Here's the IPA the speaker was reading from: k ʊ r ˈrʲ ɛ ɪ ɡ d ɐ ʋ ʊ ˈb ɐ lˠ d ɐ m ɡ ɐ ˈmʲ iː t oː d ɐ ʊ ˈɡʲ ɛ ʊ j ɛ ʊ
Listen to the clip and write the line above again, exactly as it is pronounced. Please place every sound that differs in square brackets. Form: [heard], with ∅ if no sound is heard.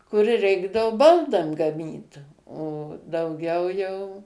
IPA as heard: k ʊ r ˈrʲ ɛ ɪ ɡ d ɐ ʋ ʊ ˈb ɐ lˠ d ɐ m ɡ ɐ ˈmʲ iː t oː d ɐ ʊ ˈɡʲ ɛ ʊ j ɛ ʊ